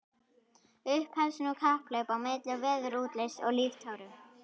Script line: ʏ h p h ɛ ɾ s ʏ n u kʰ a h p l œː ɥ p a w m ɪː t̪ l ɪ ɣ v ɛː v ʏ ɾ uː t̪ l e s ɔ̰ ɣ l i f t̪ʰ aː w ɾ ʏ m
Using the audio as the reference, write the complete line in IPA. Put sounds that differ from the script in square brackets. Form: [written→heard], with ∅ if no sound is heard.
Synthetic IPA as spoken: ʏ h p h ɛ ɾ s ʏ n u kʰ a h p l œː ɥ p a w m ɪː t̪ l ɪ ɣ v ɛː [v→ð] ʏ ɾ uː t̪ l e s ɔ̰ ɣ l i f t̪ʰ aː w ɾ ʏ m